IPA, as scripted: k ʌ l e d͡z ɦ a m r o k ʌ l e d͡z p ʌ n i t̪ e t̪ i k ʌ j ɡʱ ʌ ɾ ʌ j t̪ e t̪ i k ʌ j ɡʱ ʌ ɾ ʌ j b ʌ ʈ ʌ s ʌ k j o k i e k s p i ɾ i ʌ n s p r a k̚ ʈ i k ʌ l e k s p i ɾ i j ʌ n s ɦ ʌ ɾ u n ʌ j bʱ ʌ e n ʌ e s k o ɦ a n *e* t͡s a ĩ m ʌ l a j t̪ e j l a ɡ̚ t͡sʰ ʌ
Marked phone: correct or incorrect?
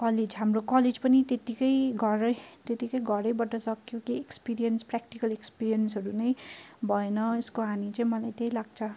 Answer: incorrect